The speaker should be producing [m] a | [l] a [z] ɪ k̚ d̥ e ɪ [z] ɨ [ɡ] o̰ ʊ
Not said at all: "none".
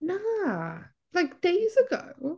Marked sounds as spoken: n, l, none, z, ɡ

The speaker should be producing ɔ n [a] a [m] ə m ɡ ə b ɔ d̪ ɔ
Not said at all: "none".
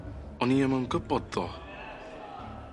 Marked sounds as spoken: i, m

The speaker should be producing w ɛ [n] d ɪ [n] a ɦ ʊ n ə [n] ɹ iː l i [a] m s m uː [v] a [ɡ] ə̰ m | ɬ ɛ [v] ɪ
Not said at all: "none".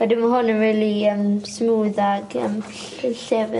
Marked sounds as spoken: none, m, n, ə, ð, ɡ, v

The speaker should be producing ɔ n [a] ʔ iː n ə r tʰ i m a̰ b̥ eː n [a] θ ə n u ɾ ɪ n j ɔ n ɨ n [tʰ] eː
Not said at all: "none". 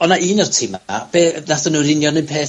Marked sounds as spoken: a, a, pʰ

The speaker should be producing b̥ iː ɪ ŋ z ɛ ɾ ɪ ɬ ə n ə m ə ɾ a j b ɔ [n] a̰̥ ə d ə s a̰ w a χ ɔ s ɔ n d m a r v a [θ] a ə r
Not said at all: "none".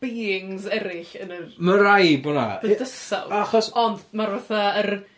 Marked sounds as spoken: n, θ

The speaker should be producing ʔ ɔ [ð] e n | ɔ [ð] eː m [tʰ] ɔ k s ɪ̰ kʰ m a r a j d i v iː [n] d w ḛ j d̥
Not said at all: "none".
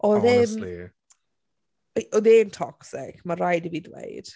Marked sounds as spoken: ð, ð, tʰ, none

